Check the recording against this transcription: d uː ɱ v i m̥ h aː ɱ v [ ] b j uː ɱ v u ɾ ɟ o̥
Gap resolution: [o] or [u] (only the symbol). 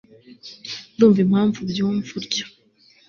u